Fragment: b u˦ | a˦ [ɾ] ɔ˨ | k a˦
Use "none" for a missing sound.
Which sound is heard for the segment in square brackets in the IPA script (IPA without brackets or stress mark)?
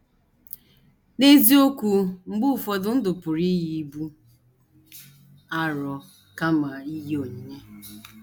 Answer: ɾ